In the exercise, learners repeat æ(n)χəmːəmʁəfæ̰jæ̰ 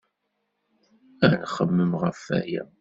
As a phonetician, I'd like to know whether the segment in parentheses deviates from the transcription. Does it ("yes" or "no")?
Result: no